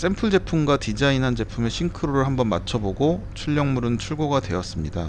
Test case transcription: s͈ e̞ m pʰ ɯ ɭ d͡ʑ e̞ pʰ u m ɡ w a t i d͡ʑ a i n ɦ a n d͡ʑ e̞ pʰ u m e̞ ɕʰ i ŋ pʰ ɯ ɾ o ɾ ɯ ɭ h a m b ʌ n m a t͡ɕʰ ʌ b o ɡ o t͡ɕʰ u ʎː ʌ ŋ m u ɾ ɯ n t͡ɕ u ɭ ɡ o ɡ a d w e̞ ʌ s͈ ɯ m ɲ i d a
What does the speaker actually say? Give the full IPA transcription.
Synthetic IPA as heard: s͈ e̞ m pʰ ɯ ɭ d͡ʑ e̞ pʰ u m ɡ w a t i d͡ʑ a i n ɦ a n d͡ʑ e̞ pʰ u m e̞ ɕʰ i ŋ kʰ ɯ ɾ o ɾ ɯ ɭ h a m b ʌ n m a t͡ɕʰ ʌ b o ɡ o t͡ɕʰ u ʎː ʌ ŋ m u ɾ ɯ n t͡ɕʰ u ɭ ɡ o ɡ a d w e̞ ʌ s͈ ɯ m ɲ i d a